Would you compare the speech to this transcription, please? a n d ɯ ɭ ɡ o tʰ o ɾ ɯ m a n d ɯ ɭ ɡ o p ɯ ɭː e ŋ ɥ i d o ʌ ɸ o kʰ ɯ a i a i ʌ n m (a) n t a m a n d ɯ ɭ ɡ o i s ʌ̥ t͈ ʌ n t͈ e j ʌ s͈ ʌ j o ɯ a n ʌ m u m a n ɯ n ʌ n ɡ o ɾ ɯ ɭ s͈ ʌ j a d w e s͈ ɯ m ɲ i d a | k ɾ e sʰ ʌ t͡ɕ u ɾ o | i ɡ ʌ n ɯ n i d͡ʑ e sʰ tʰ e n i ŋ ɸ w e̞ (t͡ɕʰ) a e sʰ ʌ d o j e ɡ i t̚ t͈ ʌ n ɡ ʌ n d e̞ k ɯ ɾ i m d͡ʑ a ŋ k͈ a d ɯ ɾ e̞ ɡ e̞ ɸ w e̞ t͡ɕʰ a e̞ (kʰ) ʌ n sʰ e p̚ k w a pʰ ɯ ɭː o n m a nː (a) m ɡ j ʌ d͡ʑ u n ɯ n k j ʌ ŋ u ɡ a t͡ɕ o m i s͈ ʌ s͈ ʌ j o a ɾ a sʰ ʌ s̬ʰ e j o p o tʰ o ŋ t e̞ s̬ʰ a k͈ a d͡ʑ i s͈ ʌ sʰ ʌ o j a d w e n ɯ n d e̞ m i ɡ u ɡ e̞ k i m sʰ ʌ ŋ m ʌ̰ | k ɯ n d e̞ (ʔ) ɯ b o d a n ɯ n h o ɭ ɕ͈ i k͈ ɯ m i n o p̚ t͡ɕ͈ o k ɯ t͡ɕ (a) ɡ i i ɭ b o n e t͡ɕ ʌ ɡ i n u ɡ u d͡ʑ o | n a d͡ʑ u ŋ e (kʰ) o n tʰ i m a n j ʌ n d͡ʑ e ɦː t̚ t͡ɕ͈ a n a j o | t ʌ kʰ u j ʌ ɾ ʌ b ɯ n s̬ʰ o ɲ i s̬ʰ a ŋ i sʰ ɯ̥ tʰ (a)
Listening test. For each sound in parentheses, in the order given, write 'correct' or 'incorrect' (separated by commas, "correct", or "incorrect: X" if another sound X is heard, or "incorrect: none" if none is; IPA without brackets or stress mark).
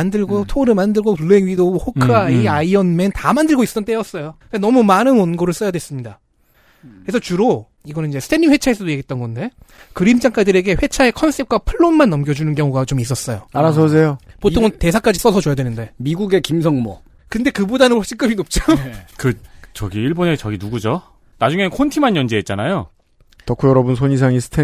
incorrect: e, correct, correct, incorrect: ʌ, incorrect: k, incorrect: ʌ, correct, incorrect: e